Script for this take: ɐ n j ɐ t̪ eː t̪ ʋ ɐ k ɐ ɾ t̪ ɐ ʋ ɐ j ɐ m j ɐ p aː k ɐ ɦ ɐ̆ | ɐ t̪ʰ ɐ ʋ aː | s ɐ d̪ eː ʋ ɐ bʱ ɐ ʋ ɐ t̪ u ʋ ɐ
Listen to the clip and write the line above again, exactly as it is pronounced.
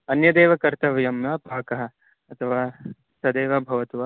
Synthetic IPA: ɐ n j ɐ d̪ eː ʋ ɐ k ɐ ɾ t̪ ɐ ʋ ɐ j ɐ m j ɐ p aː k ɐ ɦ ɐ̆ | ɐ t̪ʰ ɐ ʋ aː | s ɐ d̪ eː ʋ ɐ bʱ ɐ ʋ ɐ t̪ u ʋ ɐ